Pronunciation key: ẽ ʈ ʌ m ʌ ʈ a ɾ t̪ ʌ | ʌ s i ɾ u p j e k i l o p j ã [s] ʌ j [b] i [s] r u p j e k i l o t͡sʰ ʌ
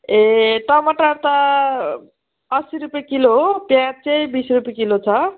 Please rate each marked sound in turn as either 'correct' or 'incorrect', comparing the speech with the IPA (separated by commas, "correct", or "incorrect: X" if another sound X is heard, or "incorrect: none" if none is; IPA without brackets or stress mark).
incorrect: t͡s, correct, correct